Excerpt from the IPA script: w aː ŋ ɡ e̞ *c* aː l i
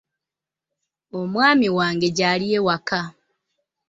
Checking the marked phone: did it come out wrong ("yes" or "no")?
yes